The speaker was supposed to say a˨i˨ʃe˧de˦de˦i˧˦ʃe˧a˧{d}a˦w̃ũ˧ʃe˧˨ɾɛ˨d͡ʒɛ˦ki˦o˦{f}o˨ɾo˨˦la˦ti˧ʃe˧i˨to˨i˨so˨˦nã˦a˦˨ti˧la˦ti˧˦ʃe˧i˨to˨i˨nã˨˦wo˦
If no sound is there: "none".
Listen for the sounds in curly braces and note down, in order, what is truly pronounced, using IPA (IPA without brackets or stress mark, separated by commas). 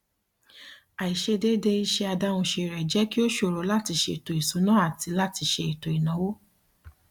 d, ʃ